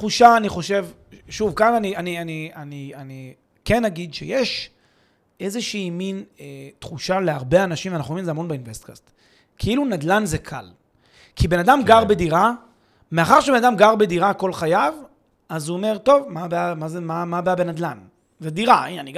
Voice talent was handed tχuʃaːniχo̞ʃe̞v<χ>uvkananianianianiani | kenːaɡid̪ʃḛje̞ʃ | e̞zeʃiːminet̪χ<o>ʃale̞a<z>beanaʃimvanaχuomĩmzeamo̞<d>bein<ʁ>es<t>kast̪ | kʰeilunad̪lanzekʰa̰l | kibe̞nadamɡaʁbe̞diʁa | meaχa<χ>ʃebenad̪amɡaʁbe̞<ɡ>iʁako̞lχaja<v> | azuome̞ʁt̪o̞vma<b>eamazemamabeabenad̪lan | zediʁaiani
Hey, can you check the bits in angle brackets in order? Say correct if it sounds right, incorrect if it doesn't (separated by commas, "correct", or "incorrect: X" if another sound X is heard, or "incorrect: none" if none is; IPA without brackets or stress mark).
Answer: incorrect: ʃ, incorrect: u, incorrect: ʁ, incorrect: n, incorrect: v, correct, incorrect: ʁ, incorrect: d, correct, correct